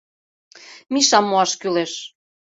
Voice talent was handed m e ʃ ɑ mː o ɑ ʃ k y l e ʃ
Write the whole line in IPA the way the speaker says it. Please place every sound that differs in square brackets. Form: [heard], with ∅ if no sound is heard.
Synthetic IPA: m [i] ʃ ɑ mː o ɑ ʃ k y l e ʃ